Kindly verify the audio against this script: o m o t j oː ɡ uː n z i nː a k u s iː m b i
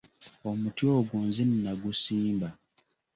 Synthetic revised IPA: o m u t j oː ɡ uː n z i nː a ɡ u s iː m b a